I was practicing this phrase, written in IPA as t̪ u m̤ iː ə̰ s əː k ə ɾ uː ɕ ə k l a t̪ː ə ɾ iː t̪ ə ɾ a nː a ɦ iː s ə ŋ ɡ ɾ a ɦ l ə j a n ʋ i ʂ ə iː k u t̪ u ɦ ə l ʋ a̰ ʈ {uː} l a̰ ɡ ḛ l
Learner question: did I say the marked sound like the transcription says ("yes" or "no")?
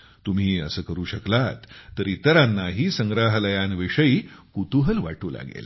yes